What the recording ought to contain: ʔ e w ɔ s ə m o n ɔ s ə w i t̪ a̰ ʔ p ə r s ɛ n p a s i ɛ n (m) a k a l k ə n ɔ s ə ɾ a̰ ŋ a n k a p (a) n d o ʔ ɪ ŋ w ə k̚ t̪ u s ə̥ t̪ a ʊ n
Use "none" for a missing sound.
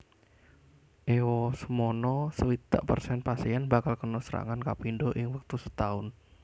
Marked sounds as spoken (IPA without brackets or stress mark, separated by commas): b, i